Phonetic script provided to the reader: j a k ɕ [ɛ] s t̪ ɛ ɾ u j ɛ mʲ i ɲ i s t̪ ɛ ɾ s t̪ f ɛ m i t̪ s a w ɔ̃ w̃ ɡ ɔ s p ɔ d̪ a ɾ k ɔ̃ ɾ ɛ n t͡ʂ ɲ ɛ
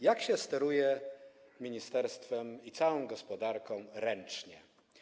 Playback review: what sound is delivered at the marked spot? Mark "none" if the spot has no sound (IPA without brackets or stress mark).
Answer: ɛ